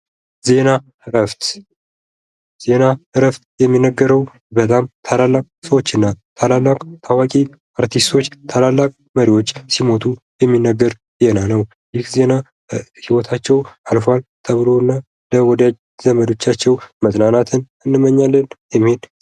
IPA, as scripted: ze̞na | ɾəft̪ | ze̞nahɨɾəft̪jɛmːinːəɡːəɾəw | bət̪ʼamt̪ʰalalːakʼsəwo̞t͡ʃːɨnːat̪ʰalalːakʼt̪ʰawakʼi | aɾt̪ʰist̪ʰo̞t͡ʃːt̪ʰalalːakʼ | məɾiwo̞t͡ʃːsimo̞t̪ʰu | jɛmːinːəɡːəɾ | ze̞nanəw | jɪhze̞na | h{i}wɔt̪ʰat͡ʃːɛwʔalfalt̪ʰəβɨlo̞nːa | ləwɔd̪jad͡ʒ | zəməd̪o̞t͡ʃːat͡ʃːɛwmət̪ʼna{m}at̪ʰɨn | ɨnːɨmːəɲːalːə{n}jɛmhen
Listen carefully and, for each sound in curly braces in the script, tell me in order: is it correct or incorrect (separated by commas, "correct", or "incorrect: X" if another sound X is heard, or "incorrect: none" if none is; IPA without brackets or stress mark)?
correct, incorrect: n, correct